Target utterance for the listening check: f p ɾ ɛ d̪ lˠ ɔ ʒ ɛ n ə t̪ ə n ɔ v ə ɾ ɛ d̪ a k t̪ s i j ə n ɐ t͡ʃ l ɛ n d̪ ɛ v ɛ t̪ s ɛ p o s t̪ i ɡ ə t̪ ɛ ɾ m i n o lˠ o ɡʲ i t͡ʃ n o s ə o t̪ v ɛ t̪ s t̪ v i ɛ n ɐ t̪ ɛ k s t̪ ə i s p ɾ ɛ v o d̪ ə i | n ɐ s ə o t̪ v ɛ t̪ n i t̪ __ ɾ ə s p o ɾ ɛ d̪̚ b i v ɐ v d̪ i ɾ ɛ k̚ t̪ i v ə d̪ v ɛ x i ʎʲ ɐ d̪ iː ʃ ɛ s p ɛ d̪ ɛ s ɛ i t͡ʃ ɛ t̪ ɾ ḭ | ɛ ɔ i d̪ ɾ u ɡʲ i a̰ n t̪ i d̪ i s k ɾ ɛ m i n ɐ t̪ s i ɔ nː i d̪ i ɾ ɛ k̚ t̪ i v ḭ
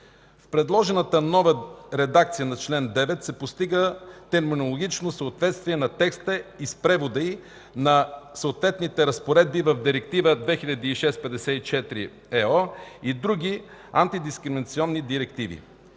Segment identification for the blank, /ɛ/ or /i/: ɛ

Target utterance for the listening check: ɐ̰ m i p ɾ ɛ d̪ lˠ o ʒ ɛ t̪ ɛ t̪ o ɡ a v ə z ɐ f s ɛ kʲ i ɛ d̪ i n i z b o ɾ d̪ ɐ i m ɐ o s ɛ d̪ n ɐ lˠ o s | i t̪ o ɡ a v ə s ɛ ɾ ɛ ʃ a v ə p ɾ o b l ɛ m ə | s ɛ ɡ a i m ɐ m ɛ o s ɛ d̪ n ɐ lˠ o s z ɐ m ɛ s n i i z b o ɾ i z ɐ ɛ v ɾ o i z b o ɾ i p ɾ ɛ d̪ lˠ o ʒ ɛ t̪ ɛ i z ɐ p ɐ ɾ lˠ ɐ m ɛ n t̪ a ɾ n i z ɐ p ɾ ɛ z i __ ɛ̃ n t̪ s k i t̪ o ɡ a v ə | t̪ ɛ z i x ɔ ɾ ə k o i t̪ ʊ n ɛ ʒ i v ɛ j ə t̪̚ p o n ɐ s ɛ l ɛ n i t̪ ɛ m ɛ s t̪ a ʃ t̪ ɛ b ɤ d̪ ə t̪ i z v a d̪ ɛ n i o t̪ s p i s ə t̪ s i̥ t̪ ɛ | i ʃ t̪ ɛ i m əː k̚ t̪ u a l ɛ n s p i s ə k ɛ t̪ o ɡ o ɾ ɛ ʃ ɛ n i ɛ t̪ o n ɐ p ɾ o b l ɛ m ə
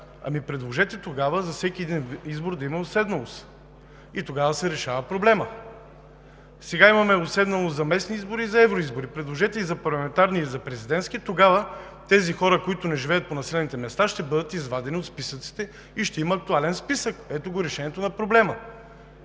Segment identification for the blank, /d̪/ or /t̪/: d̪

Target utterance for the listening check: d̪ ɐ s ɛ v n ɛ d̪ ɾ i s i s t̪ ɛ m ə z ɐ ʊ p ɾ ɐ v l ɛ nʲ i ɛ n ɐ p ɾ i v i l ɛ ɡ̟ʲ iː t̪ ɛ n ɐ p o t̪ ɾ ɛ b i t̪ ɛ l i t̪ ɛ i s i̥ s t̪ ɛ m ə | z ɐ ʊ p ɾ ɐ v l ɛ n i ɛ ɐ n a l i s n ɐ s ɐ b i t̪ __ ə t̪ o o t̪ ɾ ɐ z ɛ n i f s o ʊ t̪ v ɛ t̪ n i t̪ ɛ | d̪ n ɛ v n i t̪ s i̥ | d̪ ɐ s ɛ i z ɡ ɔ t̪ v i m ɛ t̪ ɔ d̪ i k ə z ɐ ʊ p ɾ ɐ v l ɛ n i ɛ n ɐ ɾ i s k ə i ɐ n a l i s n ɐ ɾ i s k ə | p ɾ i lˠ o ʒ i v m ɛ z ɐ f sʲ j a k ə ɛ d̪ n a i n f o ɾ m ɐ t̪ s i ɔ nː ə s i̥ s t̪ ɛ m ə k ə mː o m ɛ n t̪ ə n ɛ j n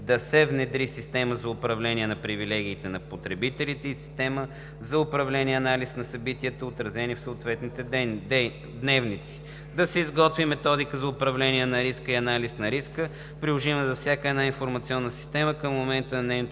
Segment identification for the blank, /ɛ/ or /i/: i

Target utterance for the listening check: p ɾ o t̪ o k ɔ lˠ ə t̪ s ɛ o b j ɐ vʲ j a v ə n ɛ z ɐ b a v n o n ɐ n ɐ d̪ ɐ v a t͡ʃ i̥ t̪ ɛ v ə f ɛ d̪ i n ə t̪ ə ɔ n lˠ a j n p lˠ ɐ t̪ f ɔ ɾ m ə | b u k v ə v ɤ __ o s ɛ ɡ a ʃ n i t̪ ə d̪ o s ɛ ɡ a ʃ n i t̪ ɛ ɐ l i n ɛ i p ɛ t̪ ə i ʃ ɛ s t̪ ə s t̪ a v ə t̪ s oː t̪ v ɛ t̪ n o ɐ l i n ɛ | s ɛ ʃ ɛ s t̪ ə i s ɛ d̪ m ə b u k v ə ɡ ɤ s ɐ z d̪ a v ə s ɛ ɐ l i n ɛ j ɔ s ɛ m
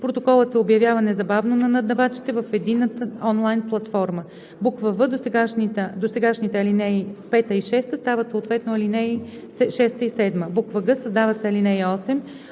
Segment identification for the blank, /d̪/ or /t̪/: d̪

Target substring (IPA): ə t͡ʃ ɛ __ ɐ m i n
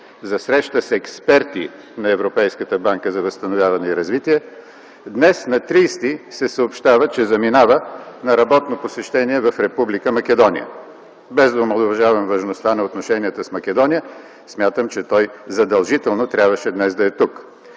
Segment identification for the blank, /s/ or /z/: z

